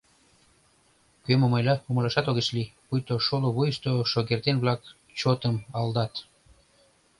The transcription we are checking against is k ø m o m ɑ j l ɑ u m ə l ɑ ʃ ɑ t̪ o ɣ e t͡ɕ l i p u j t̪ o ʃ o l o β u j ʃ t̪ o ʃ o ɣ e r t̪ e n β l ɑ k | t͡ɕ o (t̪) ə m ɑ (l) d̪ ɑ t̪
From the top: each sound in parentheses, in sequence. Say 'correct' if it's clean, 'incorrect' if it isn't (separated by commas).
correct, correct